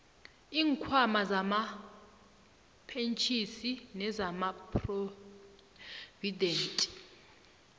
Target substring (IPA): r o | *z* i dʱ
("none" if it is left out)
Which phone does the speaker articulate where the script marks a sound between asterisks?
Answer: v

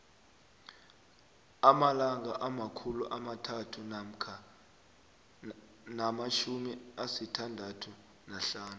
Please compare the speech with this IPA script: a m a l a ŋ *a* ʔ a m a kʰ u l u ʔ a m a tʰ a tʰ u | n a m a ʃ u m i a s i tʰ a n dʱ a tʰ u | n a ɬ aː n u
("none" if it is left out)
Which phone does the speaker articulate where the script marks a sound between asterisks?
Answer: a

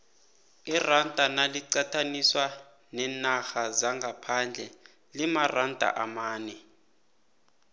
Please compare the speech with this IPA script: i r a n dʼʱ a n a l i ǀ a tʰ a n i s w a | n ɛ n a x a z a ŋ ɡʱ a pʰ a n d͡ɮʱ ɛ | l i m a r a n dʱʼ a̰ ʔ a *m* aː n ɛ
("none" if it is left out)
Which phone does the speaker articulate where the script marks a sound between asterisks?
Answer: m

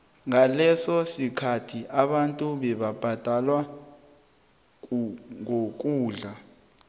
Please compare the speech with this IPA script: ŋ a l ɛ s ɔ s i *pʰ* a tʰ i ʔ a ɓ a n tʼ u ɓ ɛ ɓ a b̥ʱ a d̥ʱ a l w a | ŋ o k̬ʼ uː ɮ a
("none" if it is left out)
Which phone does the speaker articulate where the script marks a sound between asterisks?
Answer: kʰ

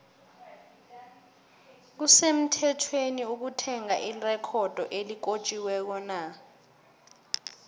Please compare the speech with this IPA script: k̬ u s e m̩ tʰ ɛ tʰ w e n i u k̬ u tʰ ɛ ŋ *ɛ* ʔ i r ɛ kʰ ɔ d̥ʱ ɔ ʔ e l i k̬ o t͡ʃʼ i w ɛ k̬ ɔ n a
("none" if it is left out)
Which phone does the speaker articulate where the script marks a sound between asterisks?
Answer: a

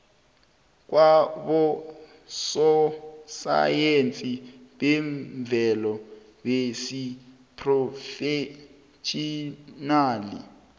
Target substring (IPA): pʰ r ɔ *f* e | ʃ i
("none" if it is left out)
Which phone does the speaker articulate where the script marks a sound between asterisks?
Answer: f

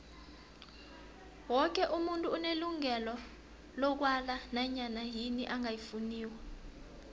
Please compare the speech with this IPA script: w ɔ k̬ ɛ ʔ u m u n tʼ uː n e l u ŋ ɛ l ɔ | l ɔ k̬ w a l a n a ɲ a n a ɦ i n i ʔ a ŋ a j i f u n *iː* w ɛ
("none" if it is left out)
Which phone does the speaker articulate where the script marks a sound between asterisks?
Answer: iː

